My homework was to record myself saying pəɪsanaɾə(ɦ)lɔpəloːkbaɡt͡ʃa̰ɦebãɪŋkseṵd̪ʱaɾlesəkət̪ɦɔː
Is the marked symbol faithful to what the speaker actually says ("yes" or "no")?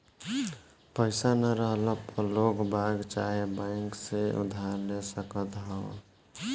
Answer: yes